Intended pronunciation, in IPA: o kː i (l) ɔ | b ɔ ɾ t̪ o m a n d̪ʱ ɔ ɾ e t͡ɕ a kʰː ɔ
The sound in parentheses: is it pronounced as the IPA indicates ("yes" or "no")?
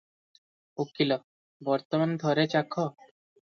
yes